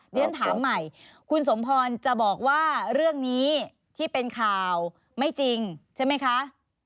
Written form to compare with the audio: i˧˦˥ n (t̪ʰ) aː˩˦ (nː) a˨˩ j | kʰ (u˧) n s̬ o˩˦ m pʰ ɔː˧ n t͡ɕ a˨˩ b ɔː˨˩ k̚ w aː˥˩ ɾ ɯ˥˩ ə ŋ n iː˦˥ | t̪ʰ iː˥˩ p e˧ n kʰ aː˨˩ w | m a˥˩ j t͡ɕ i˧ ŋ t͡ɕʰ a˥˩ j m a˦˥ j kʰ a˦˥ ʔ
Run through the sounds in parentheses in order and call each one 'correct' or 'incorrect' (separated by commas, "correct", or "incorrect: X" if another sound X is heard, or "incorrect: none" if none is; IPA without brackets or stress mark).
correct, incorrect: mː, correct